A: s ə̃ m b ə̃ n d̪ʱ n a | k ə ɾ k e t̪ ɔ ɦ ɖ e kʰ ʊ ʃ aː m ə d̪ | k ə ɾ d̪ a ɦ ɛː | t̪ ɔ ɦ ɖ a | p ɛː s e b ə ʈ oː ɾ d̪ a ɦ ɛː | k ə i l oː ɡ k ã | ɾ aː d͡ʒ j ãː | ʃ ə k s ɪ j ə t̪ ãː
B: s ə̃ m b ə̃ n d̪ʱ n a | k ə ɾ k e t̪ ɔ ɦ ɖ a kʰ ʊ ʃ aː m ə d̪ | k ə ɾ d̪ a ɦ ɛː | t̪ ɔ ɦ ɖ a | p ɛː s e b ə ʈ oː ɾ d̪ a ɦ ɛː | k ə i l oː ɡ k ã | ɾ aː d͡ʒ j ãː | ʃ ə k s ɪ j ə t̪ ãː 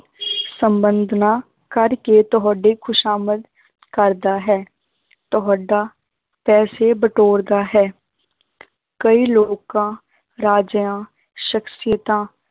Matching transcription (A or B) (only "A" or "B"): A